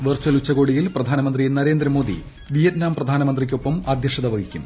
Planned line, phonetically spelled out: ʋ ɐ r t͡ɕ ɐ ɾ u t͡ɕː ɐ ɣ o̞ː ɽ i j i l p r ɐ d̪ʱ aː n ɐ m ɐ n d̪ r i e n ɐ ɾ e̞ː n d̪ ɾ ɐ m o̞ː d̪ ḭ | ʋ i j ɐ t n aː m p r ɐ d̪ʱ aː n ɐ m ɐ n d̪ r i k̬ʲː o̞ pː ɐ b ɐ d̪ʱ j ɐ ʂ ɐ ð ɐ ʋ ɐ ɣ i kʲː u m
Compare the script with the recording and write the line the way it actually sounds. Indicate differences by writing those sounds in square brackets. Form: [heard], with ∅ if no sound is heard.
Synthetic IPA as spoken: ʋ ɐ r t͡ɕ ɐ [l] u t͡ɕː ɐ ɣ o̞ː ɽ i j i l p r ɐ d̪ʱ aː n ɐ m ɐ n d̪ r i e n ɐ ɾ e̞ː n d̪ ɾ ɐ m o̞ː d̪ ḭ | ʋ i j ɐ t n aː m p r ɐ d̪ʱ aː n ɐ m ɐ n d̪ r i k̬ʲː o̞ pː ɐ [m] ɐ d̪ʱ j ɐ ʂ ɐ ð ɐ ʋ ɐ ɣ i kʲː u m

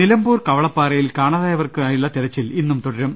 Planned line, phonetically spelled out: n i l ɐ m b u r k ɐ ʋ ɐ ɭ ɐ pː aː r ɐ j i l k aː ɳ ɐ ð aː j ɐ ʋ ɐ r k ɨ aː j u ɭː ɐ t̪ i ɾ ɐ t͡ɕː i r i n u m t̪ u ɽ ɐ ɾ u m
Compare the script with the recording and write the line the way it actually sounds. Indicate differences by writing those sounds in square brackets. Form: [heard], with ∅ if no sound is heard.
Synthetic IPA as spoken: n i l ɐ m b [uː] r k ɐ ʋ ɐ ɭ ɐ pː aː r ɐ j i l k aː ɳ ɐ ð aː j ɐ ʋ ɐ r k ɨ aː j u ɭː ɐ t̪ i ɾ ɐ t͡ɕː i [l] i [nː] u m t̪ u ɽ ɐ ɾ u m

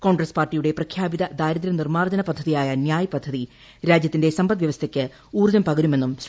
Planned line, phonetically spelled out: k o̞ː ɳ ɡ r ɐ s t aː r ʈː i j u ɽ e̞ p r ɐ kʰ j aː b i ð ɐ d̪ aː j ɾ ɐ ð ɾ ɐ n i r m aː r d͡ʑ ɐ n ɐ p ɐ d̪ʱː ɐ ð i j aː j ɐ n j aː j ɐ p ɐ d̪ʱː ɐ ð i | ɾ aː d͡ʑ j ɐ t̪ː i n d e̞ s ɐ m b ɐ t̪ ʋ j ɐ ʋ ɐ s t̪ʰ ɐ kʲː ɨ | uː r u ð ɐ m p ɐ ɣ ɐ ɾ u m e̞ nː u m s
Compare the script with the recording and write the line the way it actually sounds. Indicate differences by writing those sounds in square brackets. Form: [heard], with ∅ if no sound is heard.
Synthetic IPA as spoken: k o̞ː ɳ ɡ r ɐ s [p] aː r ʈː i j u ɽ e̞ p r ɐ kʰ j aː b i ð ɐ d̪ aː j ɾ ɐ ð ɾ ɐ n i r m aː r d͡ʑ ɐ n ɐ p ɐ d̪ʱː ɐ ð i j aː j ɐ n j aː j ɐ p ɐ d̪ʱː ɐ ð i | ɾ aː d͡ʑ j ɐ t̪ː i n d e̞ s ɐ m b ɐ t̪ ʋ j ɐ ʋ ɐ s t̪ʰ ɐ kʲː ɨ | uː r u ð ɐ m p ɐ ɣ ɐ ɾ u m e̞ nː u m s

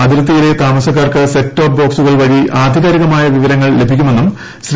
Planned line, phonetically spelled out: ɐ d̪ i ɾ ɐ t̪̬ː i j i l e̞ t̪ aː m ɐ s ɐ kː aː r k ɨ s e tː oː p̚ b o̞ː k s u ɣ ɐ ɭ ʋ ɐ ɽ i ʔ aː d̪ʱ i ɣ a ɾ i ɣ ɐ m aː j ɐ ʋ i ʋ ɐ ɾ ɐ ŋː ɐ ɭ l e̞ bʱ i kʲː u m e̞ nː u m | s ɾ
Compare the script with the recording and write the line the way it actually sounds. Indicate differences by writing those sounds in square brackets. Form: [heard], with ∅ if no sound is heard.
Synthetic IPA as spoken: ɐ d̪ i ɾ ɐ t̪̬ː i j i l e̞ t̪ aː m ɐ s ɐ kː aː r k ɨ s e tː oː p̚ b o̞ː k s u ɣ ɐ ɭ ʋ ɐ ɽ i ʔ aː d̪ʱ i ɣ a ɾ i ɣ ɐ m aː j ɐ ʋ i ʋ ɐ ɾ ɐ ŋː ɐ ɭ l e̞ bʱ i kʲː u m e̞ nː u m | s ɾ

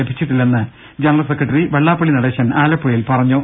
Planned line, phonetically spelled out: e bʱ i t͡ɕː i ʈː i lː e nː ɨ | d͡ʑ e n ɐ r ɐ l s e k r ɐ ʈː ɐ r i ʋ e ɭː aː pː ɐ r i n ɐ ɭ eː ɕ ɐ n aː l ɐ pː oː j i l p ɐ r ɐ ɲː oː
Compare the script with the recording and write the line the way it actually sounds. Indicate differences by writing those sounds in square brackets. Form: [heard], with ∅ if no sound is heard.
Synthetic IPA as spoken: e bʱ i t͡ɕː i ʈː i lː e nː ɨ | d͡ʑ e n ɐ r ɐ l s e k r ɐ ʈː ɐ r i ʋ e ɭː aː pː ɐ [ɭ] i n ɐ [ɽ] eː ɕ ɐ n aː l ɐ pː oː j i l p ɐ r ɐ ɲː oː

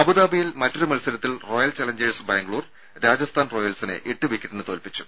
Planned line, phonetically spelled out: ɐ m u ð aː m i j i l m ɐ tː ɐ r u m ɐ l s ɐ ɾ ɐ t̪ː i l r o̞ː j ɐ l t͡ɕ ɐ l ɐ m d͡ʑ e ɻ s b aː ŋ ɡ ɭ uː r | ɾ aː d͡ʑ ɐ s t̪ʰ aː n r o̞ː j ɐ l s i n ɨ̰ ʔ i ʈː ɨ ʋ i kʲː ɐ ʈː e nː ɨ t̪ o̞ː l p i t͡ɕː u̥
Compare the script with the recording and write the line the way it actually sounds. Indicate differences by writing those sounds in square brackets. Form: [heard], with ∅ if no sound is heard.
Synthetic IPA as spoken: ɐ [b] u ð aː [b] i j i l m ɐ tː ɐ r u m ɐ l s ɐ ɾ ɐ t̪ː i l r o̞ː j ɐ l t͡ɕ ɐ l ɐ [ɲ] d͡ʑ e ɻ s b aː ŋ ɡ ɭ uː r | ɾ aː d͡ʑ ɐ s t̪ʰ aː n r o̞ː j ɐ l s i n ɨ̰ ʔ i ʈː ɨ ʋ i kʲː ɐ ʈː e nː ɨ t̪ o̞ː l p i t͡ɕː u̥

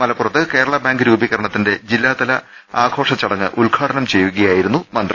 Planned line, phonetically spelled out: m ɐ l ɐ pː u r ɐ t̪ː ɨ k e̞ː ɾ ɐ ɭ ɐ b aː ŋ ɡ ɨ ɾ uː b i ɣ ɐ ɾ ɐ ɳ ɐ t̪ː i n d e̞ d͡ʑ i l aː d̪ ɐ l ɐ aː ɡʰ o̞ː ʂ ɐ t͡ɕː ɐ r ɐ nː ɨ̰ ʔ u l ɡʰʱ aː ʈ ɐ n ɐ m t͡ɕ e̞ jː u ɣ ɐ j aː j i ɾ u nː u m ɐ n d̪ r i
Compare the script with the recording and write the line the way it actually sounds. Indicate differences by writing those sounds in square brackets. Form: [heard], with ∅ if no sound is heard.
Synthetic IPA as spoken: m ɐ l ɐ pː u r ɐ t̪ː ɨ k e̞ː ɾ ɐ ɭ ɐ b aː ŋ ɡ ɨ ɾ uː b i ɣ ɐ ɾ ɐ ɳ ɐ t̪ː i n d e̞ d͡ʑ i [lː] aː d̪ ɐ l ɐ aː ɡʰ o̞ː ʂ ɐ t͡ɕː ɐ [ɽ] ɐ [ŋː] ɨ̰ ʔ u l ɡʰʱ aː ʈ ɐ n ɐ m t͡ɕ e̞ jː u ɣ ɐ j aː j i ɾ u nː u m ɐ n d̪ r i

